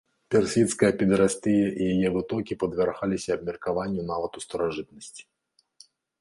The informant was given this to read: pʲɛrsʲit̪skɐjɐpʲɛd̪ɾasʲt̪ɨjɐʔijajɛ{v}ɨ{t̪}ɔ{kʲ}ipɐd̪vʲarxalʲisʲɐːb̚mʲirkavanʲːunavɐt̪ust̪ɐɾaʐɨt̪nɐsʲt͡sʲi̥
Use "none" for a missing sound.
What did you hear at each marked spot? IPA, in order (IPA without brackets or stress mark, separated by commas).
v, t̪, kʲ